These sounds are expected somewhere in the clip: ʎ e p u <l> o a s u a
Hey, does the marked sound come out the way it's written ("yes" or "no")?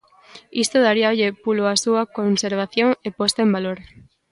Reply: yes